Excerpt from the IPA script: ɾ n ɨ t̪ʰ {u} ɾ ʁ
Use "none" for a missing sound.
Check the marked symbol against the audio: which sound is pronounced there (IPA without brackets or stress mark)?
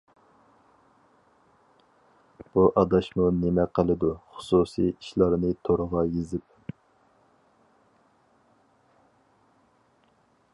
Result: o